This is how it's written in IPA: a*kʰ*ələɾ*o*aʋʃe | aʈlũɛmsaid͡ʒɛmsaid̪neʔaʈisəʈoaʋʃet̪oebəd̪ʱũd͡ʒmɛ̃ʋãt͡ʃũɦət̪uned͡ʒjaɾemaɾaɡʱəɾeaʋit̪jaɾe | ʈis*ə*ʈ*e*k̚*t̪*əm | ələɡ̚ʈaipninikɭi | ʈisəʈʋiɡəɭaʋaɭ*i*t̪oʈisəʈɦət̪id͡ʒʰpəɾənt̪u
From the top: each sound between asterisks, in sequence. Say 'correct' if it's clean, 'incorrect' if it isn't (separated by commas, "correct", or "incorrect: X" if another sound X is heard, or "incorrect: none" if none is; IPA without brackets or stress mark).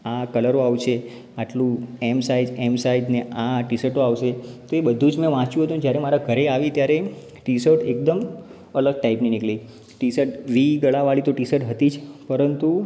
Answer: incorrect: k, correct, correct, correct, incorrect: d̪, correct